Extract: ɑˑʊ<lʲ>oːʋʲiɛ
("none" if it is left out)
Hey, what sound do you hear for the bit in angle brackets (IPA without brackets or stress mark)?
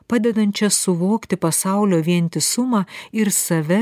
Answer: lʲ